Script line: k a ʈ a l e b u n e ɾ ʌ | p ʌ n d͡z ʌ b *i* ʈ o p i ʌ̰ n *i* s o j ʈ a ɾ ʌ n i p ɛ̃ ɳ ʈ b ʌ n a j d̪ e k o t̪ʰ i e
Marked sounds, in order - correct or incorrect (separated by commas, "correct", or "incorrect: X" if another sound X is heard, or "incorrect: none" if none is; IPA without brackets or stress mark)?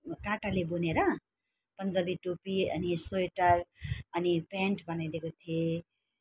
correct, correct